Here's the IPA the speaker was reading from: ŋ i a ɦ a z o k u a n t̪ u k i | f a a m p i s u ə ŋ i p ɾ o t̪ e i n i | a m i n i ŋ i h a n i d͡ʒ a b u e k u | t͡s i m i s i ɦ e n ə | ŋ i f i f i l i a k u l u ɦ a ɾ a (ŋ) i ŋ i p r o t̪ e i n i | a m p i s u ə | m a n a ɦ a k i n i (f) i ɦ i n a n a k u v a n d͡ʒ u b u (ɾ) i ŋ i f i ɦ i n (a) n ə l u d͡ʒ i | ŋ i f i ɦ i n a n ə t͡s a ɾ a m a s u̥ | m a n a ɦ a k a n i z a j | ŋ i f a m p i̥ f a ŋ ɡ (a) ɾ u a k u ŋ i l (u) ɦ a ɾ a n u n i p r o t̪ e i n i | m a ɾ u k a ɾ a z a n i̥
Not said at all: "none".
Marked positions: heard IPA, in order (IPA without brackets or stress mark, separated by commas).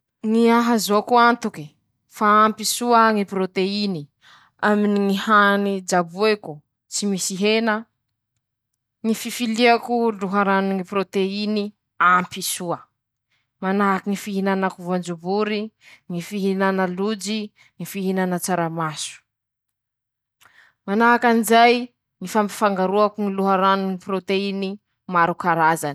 n, f, ɾ, a, a, u